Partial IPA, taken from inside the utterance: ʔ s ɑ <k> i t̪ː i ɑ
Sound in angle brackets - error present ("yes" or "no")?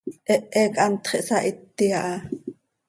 yes